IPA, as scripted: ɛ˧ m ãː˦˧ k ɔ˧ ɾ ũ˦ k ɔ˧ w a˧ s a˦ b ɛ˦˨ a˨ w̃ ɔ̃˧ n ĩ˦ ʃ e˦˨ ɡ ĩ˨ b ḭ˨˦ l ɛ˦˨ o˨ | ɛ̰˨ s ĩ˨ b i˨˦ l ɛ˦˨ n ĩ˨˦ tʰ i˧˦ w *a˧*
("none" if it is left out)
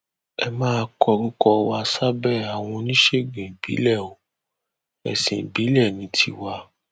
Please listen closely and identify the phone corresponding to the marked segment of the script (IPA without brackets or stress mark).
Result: a˧